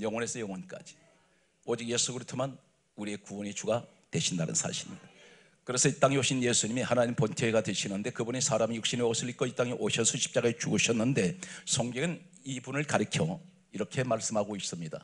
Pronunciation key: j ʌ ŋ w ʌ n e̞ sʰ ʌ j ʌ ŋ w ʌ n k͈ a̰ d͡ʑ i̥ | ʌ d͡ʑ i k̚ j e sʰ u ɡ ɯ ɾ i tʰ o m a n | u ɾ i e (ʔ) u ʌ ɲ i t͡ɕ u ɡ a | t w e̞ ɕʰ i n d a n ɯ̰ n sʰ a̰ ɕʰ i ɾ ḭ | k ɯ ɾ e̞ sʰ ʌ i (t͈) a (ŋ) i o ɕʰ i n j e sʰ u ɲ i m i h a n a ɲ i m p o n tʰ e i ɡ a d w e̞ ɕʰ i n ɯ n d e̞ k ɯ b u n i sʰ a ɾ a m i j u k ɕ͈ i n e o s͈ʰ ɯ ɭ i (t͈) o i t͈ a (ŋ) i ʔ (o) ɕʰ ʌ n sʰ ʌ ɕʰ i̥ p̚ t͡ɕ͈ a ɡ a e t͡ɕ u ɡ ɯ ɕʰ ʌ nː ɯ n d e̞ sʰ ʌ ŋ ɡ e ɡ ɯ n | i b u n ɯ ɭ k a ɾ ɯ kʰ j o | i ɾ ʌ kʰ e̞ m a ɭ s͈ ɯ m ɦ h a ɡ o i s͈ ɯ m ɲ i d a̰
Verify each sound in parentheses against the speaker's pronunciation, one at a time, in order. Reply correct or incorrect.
incorrect, correct, correct, incorrect, correct, correct

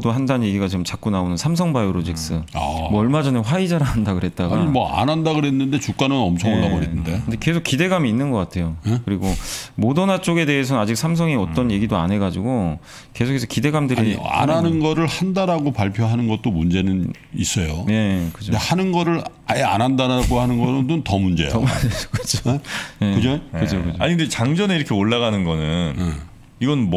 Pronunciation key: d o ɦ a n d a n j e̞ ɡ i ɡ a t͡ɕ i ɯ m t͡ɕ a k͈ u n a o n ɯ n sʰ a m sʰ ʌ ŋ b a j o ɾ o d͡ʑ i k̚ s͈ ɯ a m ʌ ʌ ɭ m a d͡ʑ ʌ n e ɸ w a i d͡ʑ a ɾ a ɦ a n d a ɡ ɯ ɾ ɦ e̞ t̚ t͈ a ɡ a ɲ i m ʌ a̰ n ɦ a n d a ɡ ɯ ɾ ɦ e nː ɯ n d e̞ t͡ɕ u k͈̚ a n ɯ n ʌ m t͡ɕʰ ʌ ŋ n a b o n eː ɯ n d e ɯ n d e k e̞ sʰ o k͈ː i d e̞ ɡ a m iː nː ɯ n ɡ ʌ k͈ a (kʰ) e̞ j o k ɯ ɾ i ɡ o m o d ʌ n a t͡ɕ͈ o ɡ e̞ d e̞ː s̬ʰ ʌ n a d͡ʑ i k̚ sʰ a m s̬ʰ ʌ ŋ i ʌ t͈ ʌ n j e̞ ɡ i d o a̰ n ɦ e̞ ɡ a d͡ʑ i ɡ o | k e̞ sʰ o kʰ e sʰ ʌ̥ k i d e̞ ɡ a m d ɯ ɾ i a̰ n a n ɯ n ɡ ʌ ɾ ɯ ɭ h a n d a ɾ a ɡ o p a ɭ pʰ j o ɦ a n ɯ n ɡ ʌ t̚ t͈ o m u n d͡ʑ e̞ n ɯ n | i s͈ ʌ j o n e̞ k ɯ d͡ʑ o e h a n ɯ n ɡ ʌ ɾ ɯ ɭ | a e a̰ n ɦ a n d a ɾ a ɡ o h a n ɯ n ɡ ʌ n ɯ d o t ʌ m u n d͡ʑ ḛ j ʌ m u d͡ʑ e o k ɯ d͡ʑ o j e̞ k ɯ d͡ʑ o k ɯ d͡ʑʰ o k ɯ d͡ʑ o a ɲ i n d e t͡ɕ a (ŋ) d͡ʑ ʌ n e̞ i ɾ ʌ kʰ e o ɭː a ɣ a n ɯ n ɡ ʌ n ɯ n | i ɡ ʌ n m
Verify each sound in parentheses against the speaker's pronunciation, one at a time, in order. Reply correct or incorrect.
incorrect, correct

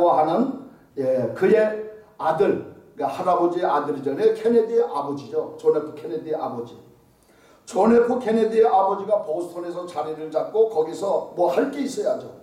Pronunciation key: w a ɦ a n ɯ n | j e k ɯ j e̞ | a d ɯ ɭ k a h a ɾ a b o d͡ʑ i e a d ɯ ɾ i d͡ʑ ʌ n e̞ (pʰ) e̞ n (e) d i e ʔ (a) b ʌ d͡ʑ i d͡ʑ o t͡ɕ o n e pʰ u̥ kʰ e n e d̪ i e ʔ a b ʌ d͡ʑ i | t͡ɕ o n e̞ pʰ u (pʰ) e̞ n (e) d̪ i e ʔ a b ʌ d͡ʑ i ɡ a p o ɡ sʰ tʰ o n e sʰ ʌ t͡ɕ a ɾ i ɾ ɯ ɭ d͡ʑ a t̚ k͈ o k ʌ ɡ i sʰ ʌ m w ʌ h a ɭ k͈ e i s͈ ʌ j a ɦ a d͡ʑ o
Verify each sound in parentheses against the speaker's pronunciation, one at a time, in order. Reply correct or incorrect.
incorrect, correct, correct, incorrect, correct

